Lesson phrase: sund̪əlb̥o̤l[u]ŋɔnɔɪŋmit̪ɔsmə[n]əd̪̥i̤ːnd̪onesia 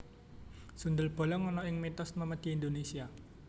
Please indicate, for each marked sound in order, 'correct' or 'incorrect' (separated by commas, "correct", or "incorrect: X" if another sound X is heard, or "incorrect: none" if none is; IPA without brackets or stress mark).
incorrect: ɔ, incorrect: m